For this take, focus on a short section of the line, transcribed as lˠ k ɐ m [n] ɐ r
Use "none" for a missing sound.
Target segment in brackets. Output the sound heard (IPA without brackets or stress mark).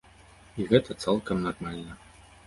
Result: n